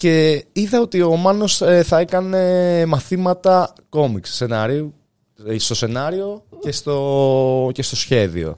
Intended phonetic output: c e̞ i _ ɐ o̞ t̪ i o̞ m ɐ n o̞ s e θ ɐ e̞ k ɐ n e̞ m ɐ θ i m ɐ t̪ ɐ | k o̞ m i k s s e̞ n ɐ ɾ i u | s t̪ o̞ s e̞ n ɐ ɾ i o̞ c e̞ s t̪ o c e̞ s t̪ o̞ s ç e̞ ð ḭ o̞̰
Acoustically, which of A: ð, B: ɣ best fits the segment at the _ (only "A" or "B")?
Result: A